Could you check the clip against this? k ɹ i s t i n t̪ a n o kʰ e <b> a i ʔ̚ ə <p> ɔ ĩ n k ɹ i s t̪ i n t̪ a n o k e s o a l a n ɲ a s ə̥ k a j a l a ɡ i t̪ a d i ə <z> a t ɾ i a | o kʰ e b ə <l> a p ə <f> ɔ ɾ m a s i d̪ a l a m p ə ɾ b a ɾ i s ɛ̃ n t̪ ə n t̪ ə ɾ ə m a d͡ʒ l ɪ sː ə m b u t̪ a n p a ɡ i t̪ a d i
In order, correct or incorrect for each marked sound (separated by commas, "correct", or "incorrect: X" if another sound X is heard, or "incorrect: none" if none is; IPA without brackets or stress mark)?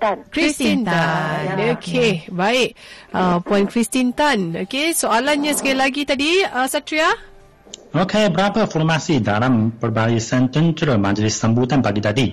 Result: correct, correct, incorrect: s, incorrect: ɾ, correct